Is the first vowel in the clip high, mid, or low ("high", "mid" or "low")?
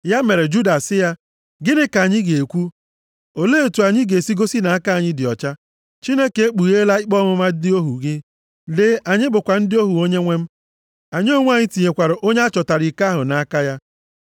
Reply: low